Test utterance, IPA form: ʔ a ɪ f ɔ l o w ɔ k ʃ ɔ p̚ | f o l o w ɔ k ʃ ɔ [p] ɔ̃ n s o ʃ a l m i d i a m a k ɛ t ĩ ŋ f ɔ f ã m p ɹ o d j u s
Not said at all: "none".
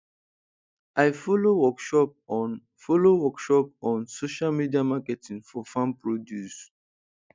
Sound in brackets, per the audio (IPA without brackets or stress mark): p